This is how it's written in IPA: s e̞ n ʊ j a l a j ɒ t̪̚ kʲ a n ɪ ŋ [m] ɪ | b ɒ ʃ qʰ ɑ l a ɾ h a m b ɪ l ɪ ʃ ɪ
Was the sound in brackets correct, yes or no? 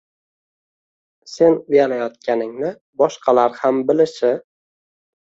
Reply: no